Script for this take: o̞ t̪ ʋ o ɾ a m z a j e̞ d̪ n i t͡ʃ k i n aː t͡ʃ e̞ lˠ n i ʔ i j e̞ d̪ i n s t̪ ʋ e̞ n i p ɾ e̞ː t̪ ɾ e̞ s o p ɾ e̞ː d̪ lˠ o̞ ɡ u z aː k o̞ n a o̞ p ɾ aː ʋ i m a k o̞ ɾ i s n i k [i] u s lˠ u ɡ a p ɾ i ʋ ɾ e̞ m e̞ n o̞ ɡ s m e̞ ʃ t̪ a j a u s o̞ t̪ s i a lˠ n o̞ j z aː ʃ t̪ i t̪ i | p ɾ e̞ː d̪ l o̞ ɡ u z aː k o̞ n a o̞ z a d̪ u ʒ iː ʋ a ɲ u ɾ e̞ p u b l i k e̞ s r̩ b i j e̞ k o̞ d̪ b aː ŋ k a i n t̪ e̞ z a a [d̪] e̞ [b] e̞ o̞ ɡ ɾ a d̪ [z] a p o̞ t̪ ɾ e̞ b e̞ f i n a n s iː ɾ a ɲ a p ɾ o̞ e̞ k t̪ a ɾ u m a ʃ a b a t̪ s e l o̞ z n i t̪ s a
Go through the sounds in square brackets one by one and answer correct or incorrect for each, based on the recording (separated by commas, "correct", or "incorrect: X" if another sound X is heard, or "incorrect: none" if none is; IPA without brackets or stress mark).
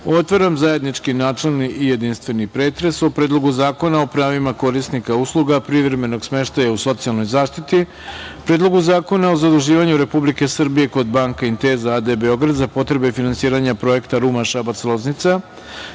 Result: incorrect: a, correct, correct, correct